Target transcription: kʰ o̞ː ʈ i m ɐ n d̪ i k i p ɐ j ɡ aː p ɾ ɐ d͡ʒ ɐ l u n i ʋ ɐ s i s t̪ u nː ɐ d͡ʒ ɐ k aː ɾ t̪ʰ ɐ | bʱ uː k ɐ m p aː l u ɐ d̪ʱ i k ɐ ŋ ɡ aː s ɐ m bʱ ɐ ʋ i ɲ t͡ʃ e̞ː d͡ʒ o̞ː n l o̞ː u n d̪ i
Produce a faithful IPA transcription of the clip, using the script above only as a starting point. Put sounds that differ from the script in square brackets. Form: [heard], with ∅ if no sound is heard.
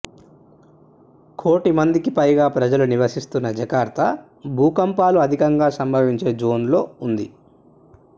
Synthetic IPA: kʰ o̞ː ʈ i m ɐ n d̪ i k i p ɐ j ɡ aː p ɾ ɐ d͡ʒ ɐ l u n i ʋ ɐ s i s t̪ u nː ɐ d͡ʒ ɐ k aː ɾ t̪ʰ ɐ | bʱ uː k ɐ m p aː l u ɐ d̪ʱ i k ɐ ŋ ɡ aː s ɐ m bʱ ɐ ʋ i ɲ t͡ʃ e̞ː d͡ʒ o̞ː n l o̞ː u n d̪ i